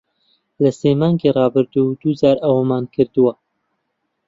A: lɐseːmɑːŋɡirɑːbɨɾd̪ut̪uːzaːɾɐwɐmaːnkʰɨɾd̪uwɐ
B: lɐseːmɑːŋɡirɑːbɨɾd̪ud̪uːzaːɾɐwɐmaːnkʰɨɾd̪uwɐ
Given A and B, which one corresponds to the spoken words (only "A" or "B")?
B